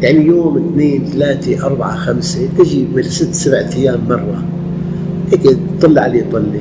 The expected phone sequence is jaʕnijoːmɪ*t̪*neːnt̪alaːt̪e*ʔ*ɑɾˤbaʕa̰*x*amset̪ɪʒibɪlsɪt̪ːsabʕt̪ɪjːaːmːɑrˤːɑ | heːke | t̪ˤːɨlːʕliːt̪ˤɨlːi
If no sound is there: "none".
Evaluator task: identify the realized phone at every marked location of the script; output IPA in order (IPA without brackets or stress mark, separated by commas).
t̪, ʔ, x